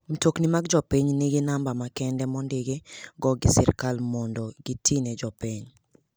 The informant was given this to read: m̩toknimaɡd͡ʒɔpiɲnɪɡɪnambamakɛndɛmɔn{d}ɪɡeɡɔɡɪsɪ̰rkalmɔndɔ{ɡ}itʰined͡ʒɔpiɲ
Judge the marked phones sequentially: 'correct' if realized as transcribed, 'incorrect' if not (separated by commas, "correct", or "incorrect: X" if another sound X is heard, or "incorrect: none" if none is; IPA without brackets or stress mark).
correct, correct